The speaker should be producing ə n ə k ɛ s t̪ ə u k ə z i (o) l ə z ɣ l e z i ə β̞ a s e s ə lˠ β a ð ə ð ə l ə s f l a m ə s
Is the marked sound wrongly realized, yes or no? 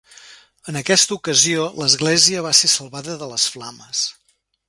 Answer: no